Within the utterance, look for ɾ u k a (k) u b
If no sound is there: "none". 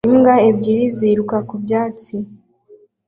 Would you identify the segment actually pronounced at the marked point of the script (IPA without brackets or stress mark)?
k